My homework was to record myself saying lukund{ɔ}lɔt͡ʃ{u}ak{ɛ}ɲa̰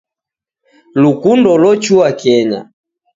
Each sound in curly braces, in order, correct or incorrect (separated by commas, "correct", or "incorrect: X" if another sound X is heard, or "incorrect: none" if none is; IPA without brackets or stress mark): correct, correct, correct